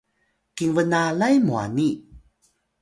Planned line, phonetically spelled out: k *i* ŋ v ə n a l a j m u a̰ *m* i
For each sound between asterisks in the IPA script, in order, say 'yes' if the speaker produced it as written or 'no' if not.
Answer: yes, no

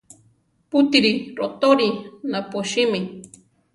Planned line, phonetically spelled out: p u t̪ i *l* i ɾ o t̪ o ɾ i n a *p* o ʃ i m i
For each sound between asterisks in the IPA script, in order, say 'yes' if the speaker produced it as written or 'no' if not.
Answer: no, yes

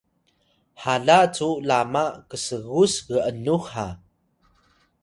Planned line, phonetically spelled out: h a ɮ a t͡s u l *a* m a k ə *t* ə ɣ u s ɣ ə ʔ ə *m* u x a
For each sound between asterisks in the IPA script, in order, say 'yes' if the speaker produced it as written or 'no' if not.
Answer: yes, no, no

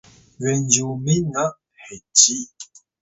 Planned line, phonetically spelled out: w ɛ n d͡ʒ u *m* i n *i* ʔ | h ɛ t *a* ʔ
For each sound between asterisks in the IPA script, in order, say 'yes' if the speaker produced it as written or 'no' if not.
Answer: yes, no, no

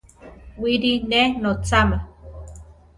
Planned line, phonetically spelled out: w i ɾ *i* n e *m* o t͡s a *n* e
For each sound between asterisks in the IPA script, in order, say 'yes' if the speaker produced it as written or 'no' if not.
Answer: yes, no, no

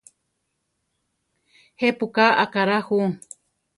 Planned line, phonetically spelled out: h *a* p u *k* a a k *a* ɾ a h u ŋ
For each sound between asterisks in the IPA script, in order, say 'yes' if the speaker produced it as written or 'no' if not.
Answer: no, yes, yes

